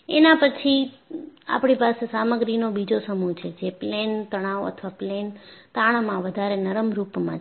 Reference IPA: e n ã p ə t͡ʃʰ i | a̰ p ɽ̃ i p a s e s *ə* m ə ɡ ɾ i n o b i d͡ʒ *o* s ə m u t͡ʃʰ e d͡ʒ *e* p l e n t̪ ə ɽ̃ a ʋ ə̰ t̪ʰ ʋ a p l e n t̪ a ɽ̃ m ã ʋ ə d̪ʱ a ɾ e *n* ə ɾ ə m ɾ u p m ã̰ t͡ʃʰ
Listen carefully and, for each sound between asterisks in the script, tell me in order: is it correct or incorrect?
incorrect: a, correct, correct, correct

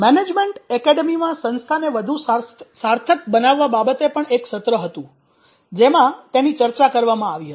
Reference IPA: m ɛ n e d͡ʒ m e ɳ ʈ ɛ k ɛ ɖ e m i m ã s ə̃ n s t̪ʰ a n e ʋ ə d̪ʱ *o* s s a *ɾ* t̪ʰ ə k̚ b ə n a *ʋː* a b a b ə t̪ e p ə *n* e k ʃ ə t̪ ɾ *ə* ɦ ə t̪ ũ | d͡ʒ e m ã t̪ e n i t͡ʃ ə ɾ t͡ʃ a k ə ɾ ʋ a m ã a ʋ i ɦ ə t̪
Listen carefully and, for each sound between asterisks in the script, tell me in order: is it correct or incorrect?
incorrect: u, correct, correct, incorrect: ɳ, correct

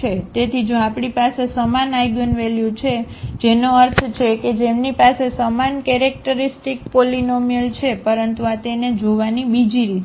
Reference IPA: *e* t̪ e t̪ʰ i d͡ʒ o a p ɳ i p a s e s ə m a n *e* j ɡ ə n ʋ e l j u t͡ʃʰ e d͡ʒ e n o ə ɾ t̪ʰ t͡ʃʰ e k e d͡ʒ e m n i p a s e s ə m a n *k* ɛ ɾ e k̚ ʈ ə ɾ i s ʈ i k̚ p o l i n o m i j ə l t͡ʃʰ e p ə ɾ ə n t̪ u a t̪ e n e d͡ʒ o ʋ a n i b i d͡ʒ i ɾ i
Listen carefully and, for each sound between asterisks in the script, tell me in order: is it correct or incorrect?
correct, incorrect: a, correct

